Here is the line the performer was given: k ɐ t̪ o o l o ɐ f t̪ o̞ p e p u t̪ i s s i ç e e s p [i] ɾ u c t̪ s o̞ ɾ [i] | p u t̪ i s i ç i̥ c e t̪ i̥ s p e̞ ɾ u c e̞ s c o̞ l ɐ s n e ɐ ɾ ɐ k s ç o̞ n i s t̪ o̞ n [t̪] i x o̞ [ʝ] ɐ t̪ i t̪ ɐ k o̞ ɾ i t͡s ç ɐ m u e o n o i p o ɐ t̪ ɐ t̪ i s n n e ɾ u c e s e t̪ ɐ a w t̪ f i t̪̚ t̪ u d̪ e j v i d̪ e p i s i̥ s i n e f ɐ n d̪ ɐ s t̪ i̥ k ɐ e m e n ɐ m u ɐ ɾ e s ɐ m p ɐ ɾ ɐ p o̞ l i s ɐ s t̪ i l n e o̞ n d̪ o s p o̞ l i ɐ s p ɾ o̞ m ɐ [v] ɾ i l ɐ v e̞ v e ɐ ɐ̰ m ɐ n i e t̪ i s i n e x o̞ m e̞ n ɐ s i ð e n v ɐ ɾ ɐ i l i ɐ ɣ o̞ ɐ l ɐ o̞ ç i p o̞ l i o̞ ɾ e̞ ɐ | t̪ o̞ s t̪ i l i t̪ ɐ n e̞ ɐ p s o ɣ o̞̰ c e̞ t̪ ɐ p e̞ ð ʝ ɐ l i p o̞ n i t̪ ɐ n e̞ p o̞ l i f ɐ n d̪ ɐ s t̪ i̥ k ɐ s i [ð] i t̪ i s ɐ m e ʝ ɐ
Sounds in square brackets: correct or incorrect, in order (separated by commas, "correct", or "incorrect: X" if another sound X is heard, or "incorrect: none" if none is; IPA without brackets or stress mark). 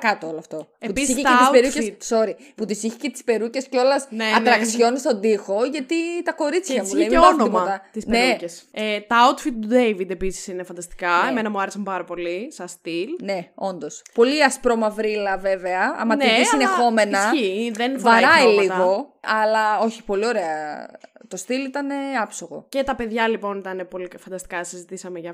incorrect: e, correct, incorrect: d̪, correct, correct, incorrect: z